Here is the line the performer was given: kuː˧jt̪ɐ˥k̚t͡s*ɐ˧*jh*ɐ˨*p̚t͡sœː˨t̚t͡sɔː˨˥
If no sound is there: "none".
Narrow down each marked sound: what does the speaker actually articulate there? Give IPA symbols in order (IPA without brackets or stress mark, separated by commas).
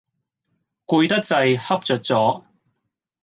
ɐ˧, ɐ˥